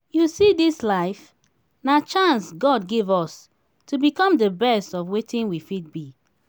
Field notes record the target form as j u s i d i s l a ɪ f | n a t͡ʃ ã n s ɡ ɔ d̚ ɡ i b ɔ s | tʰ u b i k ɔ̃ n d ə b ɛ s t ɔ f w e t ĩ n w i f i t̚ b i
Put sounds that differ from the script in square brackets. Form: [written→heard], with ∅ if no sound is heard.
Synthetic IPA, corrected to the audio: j u s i d i s l a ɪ f | n a t͡ʃ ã n s ɡ ɔ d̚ ɡ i [b→v] ɔ s | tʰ u b i k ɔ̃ [n→m] d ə b ɛ s t ɔ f w e t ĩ n w i f i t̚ b i